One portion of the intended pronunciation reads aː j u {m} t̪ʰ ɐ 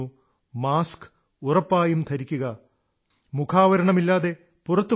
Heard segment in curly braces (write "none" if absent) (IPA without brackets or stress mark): m